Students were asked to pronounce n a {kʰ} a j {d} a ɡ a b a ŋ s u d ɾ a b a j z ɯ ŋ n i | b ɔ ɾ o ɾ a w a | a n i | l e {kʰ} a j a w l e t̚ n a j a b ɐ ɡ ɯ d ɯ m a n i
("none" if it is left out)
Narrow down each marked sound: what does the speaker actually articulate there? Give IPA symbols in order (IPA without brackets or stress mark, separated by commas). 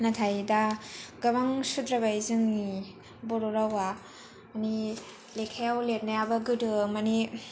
tʰ, d, kʰ